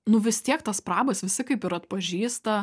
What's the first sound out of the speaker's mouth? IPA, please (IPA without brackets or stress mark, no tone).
n